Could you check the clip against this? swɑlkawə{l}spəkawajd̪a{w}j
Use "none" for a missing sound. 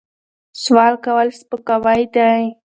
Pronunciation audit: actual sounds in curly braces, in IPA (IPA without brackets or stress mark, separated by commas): l, none